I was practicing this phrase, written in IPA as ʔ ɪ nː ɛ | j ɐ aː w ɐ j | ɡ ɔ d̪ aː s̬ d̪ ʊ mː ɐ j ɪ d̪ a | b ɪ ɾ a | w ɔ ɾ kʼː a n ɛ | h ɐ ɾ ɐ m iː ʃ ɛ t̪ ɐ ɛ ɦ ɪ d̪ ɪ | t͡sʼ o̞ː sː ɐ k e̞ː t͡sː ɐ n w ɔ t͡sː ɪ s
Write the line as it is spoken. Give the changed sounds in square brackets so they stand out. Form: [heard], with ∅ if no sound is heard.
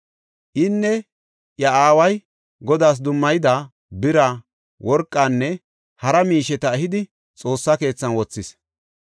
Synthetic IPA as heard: ʔ ɪ nː ɛ | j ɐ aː w ɐ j | ɡ ɔ d̪ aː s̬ d̪ ʊ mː ɐ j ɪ d̪ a | b ɪ ɾ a | w ɔ ɾ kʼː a [nː] ɛ | h ɐ ɾ ɐ m iː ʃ ɛ t̪ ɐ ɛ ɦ ɪ d̪ ɪ | t͡sʼ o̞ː sː ɐ k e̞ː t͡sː ɐ n w ɔ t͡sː ɪ s

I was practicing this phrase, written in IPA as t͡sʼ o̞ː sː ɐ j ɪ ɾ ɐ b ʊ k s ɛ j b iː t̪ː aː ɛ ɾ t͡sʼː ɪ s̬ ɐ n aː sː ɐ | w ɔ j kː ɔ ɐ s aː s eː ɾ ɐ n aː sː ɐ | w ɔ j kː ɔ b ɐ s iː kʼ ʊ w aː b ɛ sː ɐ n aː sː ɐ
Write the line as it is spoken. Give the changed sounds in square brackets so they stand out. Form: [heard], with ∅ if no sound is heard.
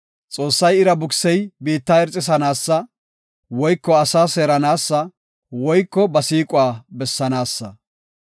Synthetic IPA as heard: t͡sʼ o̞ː sː ɐ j ɪ ɾ ɐ b ʊ k s ɛ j b iː t̪ː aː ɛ ɾ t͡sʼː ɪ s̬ ɐ n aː sː ɐ | w ɔ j kː ɔ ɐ s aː s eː ɾ ɐ n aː sː ɐ | w ɔ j kː ɔ b ɐ s iː kʼ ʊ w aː b ɛ sː ɐ n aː sː ɐ

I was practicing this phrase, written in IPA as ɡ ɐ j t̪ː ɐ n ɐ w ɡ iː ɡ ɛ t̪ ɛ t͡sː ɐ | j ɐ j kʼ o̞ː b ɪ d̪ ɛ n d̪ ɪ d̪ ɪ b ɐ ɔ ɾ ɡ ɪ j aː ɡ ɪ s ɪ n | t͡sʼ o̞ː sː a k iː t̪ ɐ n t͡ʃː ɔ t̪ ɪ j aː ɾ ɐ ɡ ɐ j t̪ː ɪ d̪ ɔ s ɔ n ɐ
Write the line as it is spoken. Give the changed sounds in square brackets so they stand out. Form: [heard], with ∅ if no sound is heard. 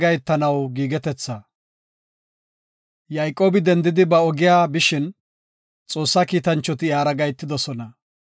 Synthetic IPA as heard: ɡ ɐ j t̪ː ɐ n ɐ w ɡ iː ɡ ɛ t̪ ɛ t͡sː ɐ | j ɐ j kʼ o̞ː b ɪ d̪ ɛ n d̪ ɪ d̪ ɪ b ɐ ɔ [∅] ɡ ɪ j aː [b] ɪ [ʃ] ɪ n | t͡sʼ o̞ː sː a k iː t̪ ɐ n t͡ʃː ɔ t̪ ɪ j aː ɾ ɐ ɡ ɐ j t̪ː ɪ d̪ ɔ s ɔ n ɐ

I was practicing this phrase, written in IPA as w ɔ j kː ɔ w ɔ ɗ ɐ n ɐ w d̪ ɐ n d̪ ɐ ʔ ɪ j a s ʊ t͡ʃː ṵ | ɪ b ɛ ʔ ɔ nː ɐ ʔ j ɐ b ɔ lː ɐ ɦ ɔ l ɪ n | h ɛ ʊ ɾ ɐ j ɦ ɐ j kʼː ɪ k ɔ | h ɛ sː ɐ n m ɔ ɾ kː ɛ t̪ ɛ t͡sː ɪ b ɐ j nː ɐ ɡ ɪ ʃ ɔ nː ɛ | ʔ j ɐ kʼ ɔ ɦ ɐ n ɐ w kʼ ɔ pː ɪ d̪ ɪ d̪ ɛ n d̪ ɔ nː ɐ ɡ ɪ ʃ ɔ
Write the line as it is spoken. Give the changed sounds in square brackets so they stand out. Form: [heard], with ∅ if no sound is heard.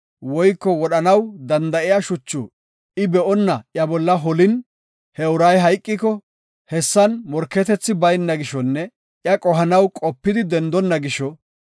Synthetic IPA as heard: w ɔ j kː ɔ w ɔ ɗ ɐ n ɐ w d̪ ɐ n d̪ ɐ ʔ ɪ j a [ʃ] ʊ t͡ʃː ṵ | ɪ b ɛ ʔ ɔ nː ɐ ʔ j ɐ b ɔ lː ɐ ɦ ɔ l ɪ n | h ɛ ʊ ɾ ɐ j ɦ ɐ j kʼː ɪ k ɔ | h ɛ sː ɐ n m ɔ ɾ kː ɛ t̪ ɛ t͡sː ɪ b ɐ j nː ɐ ɡ ɪ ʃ ɔ nː ɛ | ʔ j ɐ kʼ ɔ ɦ ɐ n ɐ w kʼ ɔ pː ɪ d̪ ɪ d̪ ɛ n d̪ ɔ nː ɐ ɡ ɪ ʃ ɔ

